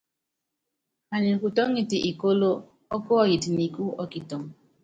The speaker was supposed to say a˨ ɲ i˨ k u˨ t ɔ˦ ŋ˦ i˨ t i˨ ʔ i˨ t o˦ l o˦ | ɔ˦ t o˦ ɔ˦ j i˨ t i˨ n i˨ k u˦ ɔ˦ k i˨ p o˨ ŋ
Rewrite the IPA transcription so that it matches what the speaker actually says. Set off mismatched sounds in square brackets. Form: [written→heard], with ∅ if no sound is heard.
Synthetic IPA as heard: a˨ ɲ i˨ k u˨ t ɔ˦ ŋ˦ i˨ t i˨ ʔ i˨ [t→k] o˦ l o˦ | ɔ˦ [t→k] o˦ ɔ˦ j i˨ t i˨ n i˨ k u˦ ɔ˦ k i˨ [p→t] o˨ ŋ